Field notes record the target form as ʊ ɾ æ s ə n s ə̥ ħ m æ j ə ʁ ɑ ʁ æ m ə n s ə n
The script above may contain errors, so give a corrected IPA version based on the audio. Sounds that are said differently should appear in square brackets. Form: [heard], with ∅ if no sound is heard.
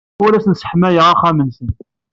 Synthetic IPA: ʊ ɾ æ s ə n s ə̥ ħ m æ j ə ʁ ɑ [χ] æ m ə n s ə n